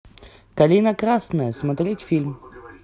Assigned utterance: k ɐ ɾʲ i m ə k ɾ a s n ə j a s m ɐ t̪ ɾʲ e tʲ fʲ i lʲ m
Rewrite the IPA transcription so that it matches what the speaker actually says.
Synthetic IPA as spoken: k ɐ lʲ i n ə k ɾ a s n ə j ə s m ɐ t̪ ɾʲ e tʲ fʲ i lʲ m

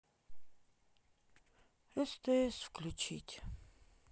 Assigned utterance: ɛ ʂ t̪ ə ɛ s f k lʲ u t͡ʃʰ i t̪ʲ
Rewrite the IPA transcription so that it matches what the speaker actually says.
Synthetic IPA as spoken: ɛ s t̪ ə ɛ s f k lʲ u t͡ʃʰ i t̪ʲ

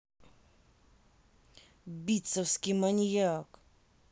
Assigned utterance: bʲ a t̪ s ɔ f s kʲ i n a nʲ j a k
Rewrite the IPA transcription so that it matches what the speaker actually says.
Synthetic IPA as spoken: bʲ i t̪ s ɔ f s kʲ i m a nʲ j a k

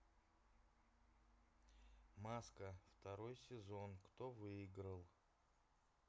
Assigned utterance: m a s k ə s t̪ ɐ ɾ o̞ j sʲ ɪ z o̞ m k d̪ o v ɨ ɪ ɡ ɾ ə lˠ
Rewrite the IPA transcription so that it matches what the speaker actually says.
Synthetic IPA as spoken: m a s k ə f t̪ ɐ ɾ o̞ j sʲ ɪ z o̞ n k t̪ o v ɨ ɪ ɡ ɾ ə lˠ

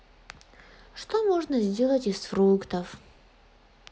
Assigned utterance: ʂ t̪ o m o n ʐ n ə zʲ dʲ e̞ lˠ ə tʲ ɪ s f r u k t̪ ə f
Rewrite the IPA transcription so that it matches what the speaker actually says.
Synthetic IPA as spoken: ʂ t̪ o m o ʐ n ə zʲ dʲ e̞ lˠ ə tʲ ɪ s f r u k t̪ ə f

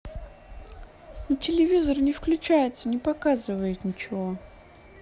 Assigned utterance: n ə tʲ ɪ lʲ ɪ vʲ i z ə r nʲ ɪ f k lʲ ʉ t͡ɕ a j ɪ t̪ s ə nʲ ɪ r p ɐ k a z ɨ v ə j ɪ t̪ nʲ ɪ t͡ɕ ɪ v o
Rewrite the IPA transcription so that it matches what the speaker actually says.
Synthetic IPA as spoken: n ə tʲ ɪ lʲ ɪ vʲ i z ə r nʲ ɪ f k lʲ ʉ t͡ɕ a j ɪ t̪ s ə nʲ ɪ p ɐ k a z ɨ v ə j ɪ t̪ nʲ ɪ t͡ɕ ɪ v o

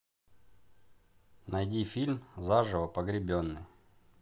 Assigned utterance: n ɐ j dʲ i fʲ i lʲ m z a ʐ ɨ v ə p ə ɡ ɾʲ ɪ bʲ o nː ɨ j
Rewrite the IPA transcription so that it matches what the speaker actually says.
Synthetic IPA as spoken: n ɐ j dʲ i fʲ i lʲ m z a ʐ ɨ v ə p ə ɡ ɾʲ ɪ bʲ o nː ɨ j

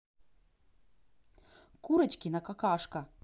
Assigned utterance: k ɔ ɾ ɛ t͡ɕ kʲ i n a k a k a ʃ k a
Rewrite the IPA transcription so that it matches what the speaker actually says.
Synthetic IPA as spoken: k u ɾ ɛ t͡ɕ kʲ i n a k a k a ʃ k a

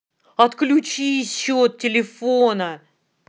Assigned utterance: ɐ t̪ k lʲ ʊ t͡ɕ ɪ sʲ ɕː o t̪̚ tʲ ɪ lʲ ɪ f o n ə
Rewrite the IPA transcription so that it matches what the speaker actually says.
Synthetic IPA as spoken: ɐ t̪ k lʲ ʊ t͡ɕ i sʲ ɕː o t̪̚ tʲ ɪ lʲ ɪ f o n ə

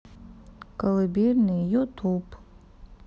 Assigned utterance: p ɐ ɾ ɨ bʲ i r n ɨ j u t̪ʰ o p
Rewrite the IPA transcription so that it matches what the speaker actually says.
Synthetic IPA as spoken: k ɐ l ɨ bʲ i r n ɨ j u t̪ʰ u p

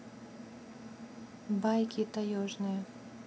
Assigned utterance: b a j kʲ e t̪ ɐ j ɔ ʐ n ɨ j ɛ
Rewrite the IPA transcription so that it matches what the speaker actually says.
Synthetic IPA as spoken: b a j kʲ i t̪ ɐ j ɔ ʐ n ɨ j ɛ

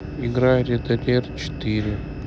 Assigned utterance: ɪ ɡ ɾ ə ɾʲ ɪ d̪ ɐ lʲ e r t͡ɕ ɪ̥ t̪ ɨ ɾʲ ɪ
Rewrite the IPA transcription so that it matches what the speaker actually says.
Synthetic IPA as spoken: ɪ ɡ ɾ a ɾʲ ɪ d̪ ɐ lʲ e r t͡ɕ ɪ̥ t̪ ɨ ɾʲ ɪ

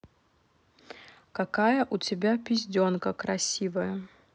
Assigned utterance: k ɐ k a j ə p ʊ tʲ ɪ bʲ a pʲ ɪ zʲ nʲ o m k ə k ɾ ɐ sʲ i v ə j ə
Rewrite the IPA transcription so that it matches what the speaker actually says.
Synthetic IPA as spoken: k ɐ k a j ə ʔ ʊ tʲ ɪ bʲ a pʲ ɪ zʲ dʲ o n k ə k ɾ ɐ sʲ i v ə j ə

